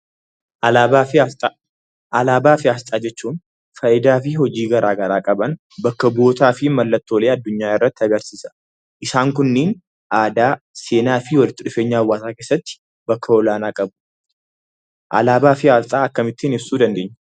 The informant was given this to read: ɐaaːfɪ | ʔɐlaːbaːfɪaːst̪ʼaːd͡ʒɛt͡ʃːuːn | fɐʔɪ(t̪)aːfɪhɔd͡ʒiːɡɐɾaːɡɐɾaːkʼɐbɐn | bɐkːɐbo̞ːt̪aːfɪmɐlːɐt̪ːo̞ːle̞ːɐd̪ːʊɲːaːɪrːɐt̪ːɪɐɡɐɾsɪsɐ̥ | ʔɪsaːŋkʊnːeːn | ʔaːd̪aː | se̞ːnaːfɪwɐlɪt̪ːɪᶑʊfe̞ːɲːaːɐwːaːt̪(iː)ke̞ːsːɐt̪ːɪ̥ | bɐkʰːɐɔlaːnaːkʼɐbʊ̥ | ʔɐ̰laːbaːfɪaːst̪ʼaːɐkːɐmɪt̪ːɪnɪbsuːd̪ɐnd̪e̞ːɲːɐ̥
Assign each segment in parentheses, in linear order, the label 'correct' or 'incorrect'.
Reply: incorrect, incorrect

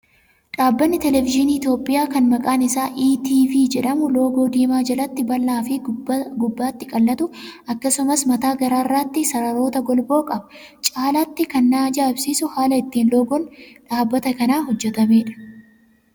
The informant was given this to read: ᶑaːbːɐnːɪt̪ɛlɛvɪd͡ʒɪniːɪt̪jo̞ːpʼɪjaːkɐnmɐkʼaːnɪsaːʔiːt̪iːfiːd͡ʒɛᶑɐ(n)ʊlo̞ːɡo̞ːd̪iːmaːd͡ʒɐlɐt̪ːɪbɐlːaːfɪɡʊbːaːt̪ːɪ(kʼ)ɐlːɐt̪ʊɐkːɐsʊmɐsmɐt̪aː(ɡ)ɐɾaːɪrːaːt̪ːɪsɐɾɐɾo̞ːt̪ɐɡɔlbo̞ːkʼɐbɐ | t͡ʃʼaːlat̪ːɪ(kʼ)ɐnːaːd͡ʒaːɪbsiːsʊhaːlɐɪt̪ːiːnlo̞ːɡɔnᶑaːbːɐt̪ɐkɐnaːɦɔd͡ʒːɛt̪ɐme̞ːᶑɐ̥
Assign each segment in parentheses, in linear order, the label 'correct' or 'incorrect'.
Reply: incorrect, correct, correct, incorrect

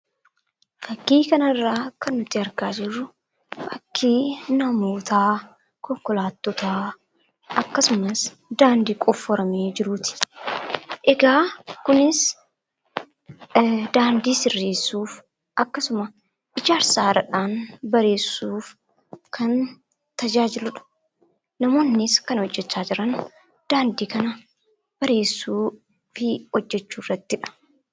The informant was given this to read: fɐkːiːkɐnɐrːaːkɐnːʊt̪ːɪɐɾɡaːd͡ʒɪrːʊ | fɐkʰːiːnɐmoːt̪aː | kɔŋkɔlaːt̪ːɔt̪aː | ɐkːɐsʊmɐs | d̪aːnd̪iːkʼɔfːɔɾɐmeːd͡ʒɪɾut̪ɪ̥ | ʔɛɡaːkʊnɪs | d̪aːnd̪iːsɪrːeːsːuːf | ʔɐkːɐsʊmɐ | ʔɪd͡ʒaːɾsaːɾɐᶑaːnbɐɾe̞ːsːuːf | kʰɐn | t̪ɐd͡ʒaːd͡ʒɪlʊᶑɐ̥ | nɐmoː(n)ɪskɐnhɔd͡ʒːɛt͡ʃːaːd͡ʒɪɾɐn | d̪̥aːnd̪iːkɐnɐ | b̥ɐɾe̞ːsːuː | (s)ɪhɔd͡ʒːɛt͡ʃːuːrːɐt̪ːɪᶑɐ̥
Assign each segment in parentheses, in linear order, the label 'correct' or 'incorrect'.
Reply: incorrect, incorrect

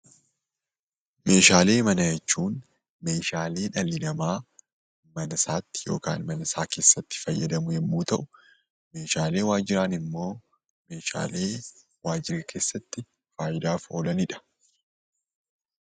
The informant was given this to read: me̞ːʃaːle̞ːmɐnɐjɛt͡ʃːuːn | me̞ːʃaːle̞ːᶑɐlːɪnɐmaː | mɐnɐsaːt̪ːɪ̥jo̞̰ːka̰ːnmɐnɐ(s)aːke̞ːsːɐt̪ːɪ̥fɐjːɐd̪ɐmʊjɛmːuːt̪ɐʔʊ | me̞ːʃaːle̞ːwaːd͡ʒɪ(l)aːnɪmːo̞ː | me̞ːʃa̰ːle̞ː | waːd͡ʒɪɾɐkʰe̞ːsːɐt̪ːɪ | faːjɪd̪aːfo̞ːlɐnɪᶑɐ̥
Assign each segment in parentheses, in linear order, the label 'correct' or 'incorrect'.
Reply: correct, incorrect

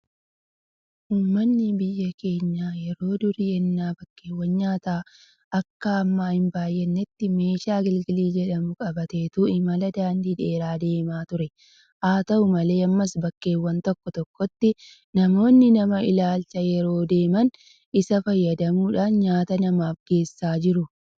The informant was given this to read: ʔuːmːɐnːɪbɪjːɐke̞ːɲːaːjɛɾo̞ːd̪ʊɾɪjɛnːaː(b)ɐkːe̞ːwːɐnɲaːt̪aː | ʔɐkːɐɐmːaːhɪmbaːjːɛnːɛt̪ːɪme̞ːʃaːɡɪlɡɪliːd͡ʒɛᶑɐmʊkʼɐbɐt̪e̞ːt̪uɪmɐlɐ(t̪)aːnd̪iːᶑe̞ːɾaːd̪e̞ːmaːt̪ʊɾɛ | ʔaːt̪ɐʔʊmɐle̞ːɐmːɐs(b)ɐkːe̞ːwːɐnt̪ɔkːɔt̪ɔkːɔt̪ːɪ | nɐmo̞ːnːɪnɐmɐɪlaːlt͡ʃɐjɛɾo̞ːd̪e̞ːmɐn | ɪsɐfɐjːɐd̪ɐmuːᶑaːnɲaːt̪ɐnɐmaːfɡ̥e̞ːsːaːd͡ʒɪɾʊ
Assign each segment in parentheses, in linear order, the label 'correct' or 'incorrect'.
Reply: correct, incorrect, correct

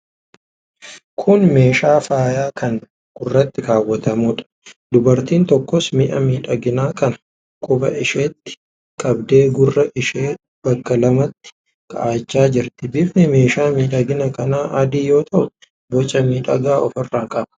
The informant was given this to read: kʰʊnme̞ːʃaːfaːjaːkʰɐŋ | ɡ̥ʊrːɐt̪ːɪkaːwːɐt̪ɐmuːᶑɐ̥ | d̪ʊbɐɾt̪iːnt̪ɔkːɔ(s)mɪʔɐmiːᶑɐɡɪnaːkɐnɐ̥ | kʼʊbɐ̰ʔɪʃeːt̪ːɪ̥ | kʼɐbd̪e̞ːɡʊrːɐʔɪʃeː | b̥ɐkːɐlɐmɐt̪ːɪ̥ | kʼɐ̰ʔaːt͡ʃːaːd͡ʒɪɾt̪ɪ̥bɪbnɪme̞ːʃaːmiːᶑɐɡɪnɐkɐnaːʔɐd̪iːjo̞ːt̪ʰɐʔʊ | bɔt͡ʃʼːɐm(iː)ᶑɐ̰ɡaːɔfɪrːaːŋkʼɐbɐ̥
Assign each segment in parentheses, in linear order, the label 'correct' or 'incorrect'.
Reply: correct, correct

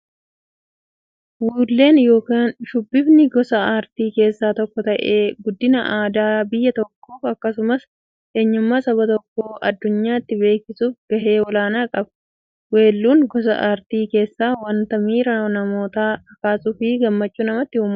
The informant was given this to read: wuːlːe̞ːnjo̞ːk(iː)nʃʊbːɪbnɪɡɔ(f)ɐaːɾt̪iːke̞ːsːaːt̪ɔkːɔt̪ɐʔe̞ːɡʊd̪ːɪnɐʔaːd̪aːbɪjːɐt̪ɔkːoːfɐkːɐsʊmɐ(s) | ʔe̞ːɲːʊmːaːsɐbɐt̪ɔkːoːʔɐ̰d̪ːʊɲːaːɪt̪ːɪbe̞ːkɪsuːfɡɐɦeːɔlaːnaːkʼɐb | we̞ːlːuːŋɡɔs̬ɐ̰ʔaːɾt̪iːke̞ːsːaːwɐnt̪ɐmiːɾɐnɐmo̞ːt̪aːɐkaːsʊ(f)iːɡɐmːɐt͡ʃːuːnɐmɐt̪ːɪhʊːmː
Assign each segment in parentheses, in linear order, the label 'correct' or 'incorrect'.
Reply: incorrect, incorrect, correct, correct

